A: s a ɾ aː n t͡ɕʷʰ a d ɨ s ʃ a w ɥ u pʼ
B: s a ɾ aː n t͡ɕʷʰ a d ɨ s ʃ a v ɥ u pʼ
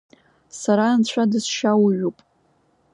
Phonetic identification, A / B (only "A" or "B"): A